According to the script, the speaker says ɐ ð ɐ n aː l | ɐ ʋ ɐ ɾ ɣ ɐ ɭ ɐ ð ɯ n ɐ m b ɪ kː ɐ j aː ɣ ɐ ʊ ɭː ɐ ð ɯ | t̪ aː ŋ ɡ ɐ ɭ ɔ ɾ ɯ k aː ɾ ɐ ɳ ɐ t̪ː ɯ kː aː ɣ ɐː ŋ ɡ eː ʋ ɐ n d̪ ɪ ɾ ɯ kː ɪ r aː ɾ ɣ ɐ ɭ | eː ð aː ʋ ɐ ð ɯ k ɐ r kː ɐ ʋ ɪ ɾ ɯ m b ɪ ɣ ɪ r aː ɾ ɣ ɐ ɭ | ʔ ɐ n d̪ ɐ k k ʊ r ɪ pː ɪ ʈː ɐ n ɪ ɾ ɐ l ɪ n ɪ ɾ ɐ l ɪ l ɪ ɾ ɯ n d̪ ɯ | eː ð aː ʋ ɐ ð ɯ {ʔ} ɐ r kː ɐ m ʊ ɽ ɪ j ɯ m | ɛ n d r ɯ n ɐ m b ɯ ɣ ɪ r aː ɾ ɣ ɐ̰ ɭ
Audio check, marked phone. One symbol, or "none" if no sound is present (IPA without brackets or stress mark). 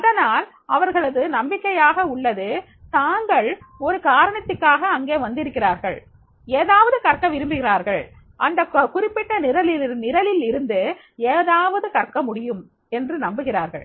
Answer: k